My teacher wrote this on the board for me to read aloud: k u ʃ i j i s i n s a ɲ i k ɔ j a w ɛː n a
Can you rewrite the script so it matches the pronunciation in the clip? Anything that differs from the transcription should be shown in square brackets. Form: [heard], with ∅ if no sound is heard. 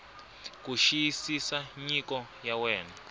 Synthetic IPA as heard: k u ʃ i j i s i [∅] s a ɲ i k ɔ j a w ɛː n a